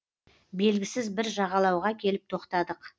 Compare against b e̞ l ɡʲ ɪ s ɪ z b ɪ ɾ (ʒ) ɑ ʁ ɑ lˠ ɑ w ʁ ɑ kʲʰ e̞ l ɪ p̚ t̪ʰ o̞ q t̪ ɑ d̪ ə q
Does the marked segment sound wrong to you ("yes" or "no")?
no